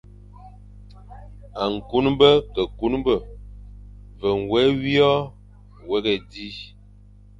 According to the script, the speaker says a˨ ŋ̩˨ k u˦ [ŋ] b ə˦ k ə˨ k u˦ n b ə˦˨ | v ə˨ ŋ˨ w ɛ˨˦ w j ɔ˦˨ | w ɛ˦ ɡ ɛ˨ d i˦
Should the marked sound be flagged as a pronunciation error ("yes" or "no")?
yes